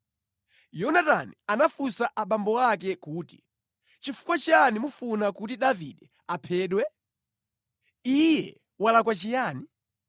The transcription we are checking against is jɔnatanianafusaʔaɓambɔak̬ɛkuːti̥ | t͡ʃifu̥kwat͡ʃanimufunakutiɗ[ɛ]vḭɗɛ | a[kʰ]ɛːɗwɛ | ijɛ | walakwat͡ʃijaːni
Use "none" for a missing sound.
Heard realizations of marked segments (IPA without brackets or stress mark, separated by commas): a, pʰ